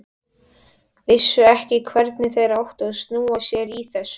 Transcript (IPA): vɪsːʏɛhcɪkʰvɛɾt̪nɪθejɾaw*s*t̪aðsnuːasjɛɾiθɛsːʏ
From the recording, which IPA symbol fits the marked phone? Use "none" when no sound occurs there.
h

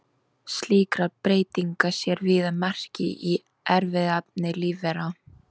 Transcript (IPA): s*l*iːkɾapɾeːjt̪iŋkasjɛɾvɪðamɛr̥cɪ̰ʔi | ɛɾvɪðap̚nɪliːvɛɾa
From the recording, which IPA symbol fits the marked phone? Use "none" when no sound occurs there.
l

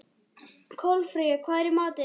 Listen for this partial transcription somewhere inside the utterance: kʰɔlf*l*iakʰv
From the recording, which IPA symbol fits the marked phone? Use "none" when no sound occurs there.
ɾ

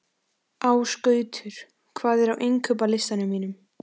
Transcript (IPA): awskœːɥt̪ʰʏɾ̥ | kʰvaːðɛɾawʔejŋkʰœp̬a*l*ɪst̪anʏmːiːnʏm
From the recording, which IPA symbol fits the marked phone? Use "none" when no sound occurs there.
l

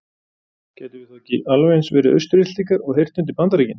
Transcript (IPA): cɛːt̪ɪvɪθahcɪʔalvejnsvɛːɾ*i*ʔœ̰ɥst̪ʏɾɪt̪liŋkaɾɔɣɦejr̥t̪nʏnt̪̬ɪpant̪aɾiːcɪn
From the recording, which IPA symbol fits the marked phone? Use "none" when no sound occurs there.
ɪ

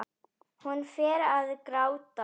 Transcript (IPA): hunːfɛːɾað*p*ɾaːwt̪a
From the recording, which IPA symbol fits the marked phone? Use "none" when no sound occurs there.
k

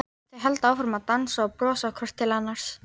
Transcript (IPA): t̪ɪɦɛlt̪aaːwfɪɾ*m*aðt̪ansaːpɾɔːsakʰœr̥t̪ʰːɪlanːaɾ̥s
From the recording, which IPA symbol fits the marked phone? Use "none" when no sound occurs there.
m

